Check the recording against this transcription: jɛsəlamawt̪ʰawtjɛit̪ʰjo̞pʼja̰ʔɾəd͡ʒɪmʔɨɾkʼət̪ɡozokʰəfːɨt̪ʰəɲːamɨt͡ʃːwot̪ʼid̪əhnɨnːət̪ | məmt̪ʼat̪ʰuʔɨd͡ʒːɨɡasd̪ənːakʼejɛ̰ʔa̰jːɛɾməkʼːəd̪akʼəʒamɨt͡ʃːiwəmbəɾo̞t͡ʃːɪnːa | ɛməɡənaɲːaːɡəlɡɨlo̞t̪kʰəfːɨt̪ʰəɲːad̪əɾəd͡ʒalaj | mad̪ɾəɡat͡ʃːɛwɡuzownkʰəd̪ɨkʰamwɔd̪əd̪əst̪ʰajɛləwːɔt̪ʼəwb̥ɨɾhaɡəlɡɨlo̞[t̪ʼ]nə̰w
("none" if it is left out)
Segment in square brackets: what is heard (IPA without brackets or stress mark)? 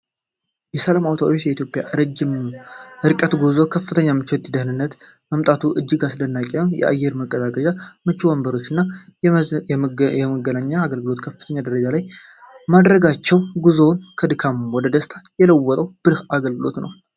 t̪